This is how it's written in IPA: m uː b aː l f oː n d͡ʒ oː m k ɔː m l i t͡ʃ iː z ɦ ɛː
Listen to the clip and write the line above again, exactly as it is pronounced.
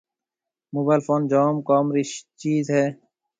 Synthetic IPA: m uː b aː l f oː n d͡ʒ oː m k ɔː m ɾ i t͡ʃ iː z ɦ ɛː